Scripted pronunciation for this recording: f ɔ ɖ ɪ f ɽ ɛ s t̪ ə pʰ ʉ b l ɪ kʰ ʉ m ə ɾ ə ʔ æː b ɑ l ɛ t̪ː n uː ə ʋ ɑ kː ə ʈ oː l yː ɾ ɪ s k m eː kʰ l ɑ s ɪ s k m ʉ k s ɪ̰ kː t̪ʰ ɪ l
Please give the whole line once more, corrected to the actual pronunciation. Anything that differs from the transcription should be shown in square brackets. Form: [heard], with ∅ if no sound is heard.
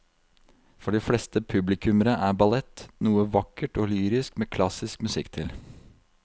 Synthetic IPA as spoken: f ɔ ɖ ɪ f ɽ ɛ s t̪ ə pʰ ʉ b l ɪ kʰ ʉ m ə ɾ ə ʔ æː b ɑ l ɛ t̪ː n uː ə ʋ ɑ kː ə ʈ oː l yː ɾ ɪ s k m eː kʰ l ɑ s ɪ s k m ʉ [∅] s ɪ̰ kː t̪ʰ ɪ l